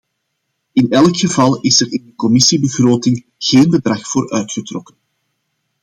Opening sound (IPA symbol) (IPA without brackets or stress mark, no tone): ɪ